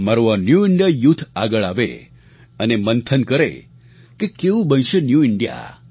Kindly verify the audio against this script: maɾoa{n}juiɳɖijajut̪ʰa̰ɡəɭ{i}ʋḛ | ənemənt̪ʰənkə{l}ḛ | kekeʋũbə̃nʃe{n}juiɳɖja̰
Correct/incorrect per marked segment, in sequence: correct, incorrect: a, incorrect: ɾ, correct

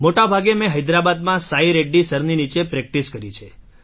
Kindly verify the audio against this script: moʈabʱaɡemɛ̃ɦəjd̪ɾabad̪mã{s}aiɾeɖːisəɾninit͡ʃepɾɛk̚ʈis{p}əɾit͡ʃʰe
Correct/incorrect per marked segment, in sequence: correct, incorrect: k

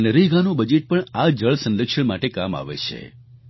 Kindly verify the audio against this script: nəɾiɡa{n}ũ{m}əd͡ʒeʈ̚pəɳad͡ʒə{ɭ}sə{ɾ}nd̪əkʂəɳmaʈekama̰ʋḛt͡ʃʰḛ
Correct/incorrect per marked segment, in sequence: correct, incorrect: b, correct, incorrect: none

